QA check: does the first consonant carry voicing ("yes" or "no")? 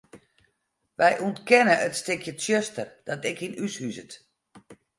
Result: yes